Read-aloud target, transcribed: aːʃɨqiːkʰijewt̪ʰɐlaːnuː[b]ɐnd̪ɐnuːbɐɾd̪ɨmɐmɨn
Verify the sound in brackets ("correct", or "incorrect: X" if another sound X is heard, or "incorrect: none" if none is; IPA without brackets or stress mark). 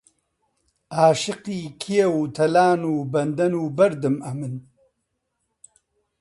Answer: correct